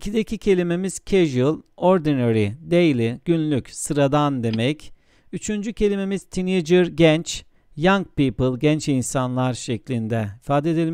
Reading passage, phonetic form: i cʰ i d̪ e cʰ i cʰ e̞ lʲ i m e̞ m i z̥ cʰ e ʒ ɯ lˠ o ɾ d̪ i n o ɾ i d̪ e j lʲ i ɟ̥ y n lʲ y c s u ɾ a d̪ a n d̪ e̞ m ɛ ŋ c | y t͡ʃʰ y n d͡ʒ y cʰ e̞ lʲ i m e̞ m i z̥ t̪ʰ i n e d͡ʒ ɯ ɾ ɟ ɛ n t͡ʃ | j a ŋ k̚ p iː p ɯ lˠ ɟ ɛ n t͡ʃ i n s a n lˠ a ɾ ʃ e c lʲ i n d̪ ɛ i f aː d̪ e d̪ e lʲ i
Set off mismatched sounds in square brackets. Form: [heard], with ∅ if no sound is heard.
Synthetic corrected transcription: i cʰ i d̪ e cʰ i cʰ e̞ lʲ i m e̞ m i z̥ cʰ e ʒ ɯ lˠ o ɾ d̪ i n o ɾ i d̪ e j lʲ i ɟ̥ y n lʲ y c s [ɯ] ɾ a d̪ a n d̪ e̞ m ɛ [∅] c | y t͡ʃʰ y n d͡ʒ y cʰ e̞ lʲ i m e̞ m i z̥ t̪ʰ i n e d͡ʒ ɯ ɾ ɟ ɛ n t͡ʃ | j a ŋ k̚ p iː p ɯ lˠ ɟ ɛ n t͡ʃ i n s a n lˠ a ɾ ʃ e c lʲ i n d̪ ɛ i f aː d̪ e d̪ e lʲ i